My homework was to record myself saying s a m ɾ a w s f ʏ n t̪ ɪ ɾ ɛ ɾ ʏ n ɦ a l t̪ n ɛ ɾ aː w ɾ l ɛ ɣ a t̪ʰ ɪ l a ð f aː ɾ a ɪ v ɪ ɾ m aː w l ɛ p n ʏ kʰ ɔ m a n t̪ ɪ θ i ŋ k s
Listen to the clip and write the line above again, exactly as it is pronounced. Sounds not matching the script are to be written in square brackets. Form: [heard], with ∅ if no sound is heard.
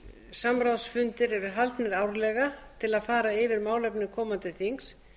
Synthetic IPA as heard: s a m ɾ a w s f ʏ n t̪ ɪ ɾ ɛ ɾ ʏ [∅] ɦ a l t̪ n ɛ ɾ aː w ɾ l ɛ ɣ a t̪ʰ ɪ l a ð f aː ɾ a ɪ v ɪ ɾ m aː w l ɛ p n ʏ kʰ [ɔː] m a n t̪ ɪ θ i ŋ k s